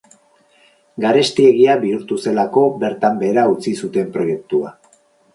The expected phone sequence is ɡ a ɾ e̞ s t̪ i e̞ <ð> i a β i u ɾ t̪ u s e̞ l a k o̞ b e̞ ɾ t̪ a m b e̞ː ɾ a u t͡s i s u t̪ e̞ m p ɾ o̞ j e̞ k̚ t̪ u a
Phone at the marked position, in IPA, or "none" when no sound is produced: ɣ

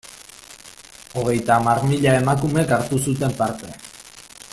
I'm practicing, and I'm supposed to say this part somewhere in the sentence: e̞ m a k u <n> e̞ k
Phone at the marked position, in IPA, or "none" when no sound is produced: m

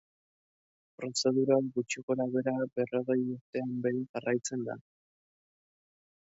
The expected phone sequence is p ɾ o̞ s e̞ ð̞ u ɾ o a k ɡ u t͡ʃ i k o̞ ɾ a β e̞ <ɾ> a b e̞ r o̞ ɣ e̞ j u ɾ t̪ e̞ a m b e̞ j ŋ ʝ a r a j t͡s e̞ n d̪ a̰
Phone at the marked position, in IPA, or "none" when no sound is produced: ɾ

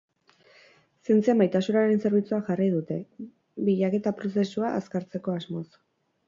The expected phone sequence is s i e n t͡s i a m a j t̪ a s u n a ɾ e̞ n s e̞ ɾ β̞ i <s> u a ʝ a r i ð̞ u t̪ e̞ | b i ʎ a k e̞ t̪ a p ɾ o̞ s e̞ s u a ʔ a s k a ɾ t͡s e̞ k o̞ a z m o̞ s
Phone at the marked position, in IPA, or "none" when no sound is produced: t͡s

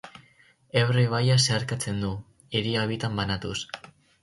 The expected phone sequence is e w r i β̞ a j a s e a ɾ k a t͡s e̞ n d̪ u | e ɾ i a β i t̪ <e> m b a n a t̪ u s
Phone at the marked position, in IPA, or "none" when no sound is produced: a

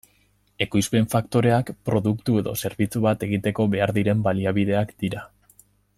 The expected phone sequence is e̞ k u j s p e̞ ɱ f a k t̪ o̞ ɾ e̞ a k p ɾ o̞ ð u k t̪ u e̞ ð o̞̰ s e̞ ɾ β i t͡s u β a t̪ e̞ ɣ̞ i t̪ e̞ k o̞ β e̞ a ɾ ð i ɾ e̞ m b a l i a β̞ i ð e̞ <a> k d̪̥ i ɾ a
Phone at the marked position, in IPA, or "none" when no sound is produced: a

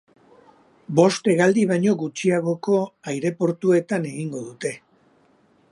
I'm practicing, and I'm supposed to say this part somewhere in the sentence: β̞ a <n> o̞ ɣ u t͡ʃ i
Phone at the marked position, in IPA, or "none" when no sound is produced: ɲ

